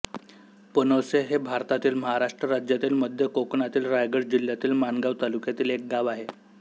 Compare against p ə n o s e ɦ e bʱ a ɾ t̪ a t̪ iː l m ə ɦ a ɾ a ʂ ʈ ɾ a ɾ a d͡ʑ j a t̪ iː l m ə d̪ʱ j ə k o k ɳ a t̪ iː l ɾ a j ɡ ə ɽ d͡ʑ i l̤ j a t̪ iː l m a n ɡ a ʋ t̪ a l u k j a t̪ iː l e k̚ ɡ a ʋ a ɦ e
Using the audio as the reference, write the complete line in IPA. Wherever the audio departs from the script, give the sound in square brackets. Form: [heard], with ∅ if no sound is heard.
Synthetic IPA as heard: p ə n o s e ɦ e bʱ a ɾ t̪ a t̪ iː l m ə ɦ a ɾ a ʂ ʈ ɾ [ə] ɾ a d͡ʑ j a t̪ iː l m ə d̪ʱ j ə k o k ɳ a t̪ iː l ɾ a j ɡ ə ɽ d͡ʑ i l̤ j a t̪ iː l m a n ɡ a ʋ t̪ a l u k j a t̪ iː l e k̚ ɡ a ʋ a ɦ e

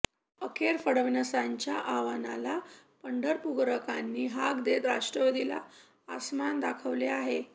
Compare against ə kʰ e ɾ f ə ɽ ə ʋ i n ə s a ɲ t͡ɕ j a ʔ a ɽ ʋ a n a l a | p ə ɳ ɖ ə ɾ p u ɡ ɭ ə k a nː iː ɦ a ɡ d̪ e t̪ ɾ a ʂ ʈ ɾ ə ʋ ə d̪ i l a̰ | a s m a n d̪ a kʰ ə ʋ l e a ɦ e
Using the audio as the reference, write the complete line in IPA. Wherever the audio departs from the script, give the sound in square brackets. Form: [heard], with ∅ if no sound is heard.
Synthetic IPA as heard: ə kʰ e ɾ f ə ɽ ə ʋ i n ə s a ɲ t͡ɕ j a ʔ a [∅] ʋ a n a l a | p ə ɳ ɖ ə ɾ p u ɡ [ɾ] ə k a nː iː ɦ a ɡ d̪ e t̪ ɾ a ʂ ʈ ɾ ə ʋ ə d̪ i l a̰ | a s m a n d̪ a kʰ ə ʋ l e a ɦ e

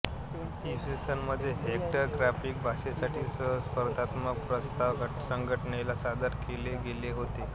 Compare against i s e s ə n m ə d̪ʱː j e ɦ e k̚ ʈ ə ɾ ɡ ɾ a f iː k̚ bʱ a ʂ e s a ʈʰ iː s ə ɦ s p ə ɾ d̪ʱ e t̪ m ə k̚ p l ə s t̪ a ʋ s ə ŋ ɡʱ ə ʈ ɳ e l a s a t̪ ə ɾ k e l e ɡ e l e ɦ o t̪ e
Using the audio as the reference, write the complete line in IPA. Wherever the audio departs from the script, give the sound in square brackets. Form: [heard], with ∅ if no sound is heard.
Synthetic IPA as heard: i s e s ə n m ə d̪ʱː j e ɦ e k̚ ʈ ə ɾ ɡ ɾ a f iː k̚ bʱ a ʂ e s a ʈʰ iː s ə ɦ s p ə ɾ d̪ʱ [a] t̪ m ə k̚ p [ɾ] ə s t̪ a ʋ s ə ŋ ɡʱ ə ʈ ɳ e l a s a [d̪] ə ɾ k e l e ɡ e l e ɦ o t̪ e

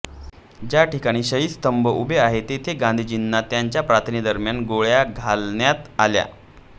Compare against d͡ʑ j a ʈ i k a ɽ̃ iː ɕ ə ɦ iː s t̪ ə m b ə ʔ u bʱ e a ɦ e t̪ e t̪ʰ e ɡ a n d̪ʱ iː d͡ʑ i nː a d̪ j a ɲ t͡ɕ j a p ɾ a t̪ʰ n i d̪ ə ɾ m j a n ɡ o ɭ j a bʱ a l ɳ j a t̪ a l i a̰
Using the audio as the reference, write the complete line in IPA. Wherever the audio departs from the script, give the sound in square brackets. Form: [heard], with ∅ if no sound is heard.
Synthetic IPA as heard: d͡ʑ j a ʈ i k a ɽ̃ iː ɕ ə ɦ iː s t̪ ə m b ə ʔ u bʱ e a ɦ e t̪ e t̪ʰ e ɡ a n d̪ʱ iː d͡ʑ i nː a [t̪] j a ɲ t͡ɕ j a p ɾ a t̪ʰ n i d̪ ə ɾ m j a n ɡ o ɭ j a [ɡʱ] a l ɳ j a t̪ a l [j] a̰

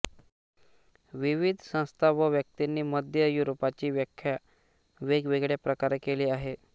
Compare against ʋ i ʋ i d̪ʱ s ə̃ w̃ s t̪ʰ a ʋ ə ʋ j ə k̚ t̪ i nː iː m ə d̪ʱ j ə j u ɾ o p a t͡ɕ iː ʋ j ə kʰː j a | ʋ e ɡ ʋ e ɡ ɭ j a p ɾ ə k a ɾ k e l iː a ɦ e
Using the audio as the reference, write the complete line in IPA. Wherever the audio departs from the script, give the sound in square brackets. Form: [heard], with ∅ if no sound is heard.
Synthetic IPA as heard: ʋ i ʋ i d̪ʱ s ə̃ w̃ s t̪ʰ a ʋ ə ʋ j ə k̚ t̪ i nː iː m ə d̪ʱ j ə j u ɾ o p a t͡ɕ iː ʋ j ə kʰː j a | ʋ e ɡ ʋ e ɡ ɭ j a p ɾ ə k a ɾ k e l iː a ɦ e

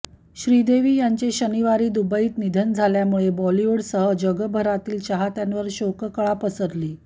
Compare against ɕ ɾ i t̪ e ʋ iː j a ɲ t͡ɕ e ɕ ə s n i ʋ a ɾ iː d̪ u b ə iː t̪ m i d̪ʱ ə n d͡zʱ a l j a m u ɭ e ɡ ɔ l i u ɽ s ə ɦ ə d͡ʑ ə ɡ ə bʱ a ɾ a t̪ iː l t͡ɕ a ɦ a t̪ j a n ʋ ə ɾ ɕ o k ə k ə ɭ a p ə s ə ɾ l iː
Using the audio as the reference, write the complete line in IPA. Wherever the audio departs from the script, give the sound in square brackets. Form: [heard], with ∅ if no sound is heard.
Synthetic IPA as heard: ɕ ɾ i [d̪] e ʋ iː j a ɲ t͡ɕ e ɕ ə [∅] n i ʋ a ɾ iː d̪ u b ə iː t̪ [n] i d̪ʱ ə n d͡zʱ a l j a m u ɭ e [b] ɔ l i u ɽ s ə ɦ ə d͡ʑ ə ɡ ə bʱ [ə] ɾ a t̪ iː l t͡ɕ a ɦ a t̪ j a n ʋ ə ɾ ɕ o k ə k ə ɭ a p ə s ə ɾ l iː

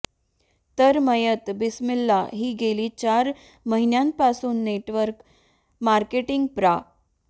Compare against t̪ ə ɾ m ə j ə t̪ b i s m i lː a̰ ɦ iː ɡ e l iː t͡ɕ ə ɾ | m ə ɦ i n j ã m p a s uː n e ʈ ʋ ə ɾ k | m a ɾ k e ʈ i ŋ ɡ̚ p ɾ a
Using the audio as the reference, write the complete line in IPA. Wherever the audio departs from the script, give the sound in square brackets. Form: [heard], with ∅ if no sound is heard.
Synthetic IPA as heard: t̪ ə ɾ m ə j ə t̪ b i s m i lː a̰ ɦ iː ɡ e l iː t͡ɕ [a] ɾ | m ə ɦ i n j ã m p a s uː [nː] e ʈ ʋ ə ɾ k | m a ɾ k e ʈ i ŋ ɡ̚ p ɾ a

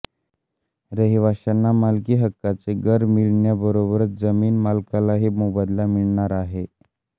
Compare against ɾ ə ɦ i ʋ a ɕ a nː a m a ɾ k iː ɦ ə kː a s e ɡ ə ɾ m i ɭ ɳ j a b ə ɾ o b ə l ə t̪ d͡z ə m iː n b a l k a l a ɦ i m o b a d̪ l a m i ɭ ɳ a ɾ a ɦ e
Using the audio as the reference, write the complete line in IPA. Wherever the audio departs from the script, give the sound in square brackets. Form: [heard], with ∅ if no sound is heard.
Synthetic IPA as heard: ɾ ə ɦ i ʋ a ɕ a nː a m a [l] k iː ɦ ə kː a [t͡s] e ɡ ə ɾ m i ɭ ɳ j a b ə ɾ o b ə [ɾ] ə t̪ d͡z ə m iː n [m] a l k a l a ɦ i m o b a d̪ l a m i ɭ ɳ a ɾ a ɦ e

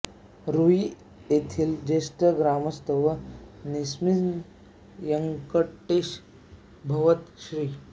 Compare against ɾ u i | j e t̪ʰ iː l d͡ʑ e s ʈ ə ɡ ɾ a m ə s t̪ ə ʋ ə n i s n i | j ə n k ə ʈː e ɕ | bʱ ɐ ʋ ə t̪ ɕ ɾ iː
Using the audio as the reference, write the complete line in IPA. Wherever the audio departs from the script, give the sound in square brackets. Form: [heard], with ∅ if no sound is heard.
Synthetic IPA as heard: ɾ u i | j e t̪ʰ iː l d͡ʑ e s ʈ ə ɡ ɾ a m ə s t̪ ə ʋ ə n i s [m] i | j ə [ŋ] k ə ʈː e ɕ | bʱ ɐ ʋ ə t̪ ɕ ɾ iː

